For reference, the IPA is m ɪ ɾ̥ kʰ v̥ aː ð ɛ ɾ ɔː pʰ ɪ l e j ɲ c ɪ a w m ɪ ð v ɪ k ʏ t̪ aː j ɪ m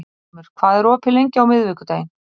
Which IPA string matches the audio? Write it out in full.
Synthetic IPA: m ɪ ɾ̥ kʰ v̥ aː ð ɛ ɾ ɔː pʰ ɪ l e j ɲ c ɪ a w m ɪ ð v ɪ k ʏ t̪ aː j ɪ n

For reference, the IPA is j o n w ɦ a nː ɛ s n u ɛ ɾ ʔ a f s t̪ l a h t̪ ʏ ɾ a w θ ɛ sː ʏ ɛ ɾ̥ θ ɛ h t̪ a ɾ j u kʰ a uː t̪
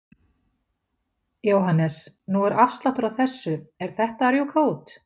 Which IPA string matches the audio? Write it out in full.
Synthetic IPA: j o w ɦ a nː ɛ s n u ɛ ɾ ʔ a f s t̪ l a h t̪ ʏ ɾ a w θ ɛ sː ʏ ɛ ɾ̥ θ ɛ h t̪ a ɾ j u kʰ a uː t̪

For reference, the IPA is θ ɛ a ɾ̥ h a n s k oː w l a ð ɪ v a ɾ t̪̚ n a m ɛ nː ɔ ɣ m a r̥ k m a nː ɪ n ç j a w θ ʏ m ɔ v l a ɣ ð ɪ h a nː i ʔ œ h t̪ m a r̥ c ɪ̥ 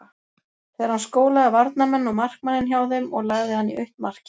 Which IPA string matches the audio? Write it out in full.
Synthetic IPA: θ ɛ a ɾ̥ h a n s k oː w l a ð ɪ v a ɾ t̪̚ n a m ɛ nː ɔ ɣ m a r̥ k m a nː ɪ n ç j a w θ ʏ m ɔ ɣ l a ɣ ð ɪ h a nː i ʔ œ h t̪ m a r̥ c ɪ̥

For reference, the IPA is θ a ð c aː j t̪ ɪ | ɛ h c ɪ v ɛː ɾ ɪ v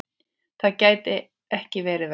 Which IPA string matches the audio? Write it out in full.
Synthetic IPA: θ a ð c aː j t̪ ɪ | ɛ h c ɪ v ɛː ɾ ɪ v

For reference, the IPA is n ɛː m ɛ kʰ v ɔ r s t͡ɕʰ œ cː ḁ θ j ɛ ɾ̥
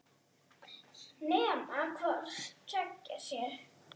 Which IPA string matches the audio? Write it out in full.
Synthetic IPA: n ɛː m a kʰ v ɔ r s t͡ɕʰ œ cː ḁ s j ɛ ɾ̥

